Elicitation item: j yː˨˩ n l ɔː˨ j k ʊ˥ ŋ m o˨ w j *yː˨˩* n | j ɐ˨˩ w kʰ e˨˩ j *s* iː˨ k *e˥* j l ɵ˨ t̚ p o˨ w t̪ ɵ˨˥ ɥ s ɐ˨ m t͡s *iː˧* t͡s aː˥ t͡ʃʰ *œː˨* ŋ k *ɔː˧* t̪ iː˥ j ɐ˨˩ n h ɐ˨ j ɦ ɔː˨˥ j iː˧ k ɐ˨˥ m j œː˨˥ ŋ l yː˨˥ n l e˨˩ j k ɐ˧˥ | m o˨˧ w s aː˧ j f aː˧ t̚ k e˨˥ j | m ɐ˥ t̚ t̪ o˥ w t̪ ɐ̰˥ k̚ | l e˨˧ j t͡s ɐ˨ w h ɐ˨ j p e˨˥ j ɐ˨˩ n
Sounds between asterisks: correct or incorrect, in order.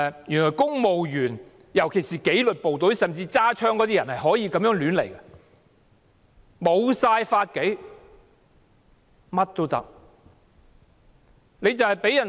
correct, correct, incorrect, correct, incorrect, incorrect

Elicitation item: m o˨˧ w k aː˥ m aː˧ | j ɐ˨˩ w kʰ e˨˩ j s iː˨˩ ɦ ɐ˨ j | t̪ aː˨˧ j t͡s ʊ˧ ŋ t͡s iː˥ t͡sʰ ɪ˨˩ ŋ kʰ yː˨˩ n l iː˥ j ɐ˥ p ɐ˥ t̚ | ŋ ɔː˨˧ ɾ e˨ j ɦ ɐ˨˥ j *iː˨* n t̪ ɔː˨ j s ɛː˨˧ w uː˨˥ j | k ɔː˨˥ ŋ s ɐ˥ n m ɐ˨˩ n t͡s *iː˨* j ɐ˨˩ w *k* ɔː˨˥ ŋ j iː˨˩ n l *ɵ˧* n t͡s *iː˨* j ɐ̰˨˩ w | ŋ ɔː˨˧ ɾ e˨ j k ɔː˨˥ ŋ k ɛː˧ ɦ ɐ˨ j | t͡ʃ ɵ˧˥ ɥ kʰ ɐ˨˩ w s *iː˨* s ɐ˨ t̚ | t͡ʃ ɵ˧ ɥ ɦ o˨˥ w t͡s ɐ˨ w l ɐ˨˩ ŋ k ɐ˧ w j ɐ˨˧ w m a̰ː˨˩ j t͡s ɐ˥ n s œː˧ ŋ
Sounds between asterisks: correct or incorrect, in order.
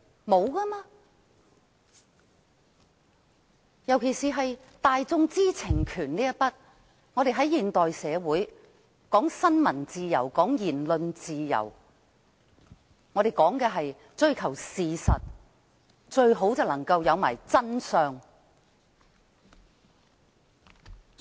correct, correct, correct, correct, correct, correct

